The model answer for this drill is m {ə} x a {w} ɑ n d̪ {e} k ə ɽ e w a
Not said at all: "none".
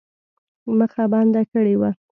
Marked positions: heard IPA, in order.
ə, b, a

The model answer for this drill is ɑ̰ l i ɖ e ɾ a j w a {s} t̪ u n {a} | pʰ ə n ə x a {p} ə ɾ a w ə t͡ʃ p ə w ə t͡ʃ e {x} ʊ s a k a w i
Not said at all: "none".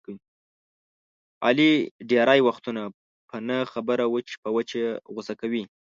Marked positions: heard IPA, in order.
x, a, b, ɣ

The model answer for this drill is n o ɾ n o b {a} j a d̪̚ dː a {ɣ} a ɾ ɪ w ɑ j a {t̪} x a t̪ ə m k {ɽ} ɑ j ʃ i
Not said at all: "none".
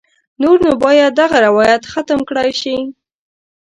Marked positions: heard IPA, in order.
ɑ, ɣ, t̪, ɽ

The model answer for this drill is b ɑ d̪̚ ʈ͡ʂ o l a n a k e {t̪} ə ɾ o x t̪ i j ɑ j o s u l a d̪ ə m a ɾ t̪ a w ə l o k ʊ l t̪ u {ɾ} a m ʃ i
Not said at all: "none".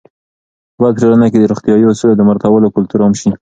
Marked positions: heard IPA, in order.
d̪, ɾ

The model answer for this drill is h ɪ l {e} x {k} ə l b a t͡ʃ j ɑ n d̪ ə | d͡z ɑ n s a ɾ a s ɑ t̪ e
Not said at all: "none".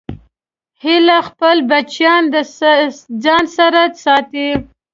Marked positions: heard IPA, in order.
a, p

